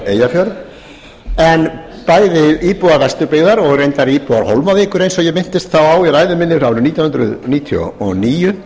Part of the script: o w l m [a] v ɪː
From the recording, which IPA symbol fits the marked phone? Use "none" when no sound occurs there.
a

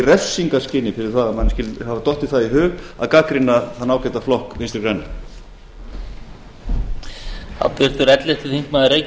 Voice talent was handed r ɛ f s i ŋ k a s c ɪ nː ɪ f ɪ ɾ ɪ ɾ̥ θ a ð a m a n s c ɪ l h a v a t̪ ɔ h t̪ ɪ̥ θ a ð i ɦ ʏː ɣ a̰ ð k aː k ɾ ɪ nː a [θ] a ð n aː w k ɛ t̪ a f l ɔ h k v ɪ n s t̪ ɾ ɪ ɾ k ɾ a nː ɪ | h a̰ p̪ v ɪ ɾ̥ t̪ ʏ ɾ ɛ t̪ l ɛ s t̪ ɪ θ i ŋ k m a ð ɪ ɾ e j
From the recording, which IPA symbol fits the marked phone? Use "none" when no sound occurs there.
θ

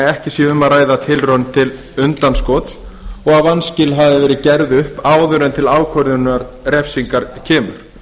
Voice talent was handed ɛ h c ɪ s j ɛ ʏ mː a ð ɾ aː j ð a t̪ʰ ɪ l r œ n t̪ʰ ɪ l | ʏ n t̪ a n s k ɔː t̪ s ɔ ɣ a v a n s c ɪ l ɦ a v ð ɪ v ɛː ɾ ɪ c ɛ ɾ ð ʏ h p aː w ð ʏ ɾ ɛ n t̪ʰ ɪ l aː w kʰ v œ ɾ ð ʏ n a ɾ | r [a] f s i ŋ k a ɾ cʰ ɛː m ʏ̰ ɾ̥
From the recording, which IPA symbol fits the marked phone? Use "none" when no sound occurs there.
ɛ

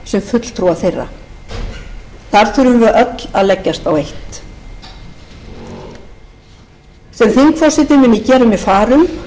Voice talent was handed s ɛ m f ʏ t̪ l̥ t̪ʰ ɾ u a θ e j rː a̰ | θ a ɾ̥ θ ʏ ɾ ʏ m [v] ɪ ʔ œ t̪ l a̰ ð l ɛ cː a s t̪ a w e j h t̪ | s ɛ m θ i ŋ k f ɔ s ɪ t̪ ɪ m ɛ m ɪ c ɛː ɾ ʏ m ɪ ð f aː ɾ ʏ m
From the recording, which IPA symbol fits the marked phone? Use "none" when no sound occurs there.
v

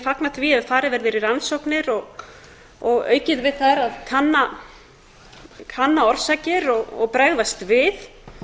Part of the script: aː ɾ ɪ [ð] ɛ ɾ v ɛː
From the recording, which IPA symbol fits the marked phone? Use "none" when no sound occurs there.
v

